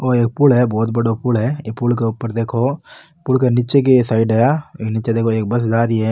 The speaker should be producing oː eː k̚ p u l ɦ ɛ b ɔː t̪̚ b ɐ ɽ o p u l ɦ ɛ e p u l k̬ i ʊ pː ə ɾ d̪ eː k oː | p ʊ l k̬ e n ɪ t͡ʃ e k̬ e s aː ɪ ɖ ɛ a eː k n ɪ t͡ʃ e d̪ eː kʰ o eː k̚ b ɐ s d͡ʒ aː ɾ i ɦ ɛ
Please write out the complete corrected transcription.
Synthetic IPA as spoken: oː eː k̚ p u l ɦ ɛ b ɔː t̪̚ b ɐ ɽ o p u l ɦ ɛ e p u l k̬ e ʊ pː ə ɾ d̪ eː kʰ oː | p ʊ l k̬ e n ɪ t͡ʃ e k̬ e s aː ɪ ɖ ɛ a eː k n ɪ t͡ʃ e d̪ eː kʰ o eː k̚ b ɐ s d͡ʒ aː ɾ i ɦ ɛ